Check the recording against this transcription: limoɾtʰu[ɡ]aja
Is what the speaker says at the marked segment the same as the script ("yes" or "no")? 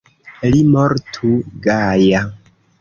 yes